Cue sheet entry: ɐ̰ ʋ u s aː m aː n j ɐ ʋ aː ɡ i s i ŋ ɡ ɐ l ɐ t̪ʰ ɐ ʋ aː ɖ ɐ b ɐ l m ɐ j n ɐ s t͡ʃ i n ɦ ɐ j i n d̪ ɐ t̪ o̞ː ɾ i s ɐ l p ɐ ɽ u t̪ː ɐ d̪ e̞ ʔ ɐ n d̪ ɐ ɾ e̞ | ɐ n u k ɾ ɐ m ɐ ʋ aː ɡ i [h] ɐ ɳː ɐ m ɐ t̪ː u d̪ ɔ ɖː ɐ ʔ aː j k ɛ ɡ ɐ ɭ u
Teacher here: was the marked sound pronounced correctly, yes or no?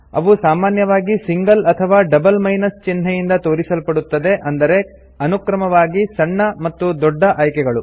no